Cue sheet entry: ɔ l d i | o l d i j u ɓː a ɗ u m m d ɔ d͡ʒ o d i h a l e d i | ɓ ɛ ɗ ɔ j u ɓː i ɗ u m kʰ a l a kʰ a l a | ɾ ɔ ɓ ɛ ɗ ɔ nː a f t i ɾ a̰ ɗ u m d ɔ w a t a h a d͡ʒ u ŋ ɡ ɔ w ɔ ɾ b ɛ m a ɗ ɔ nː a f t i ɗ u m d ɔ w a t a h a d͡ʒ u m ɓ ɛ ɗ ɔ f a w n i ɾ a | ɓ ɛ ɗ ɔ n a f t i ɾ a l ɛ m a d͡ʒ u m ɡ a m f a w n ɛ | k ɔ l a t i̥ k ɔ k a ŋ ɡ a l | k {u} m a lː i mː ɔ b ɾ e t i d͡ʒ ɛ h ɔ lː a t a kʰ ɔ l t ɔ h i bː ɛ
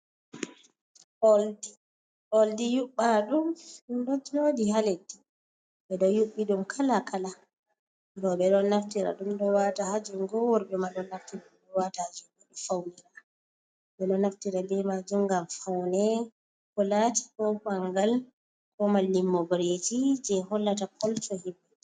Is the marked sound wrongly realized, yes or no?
yes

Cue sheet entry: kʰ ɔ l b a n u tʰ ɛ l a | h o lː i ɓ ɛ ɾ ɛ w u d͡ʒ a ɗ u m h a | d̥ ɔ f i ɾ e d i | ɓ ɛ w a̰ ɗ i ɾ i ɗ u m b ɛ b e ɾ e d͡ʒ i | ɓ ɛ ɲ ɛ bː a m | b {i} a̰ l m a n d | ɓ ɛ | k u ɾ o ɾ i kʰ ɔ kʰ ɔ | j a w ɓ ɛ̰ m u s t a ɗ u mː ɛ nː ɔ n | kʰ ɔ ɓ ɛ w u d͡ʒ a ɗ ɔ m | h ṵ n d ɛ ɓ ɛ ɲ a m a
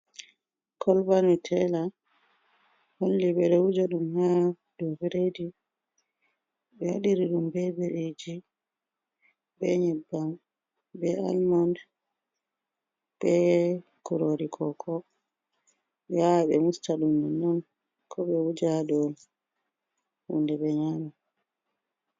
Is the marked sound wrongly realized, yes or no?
yes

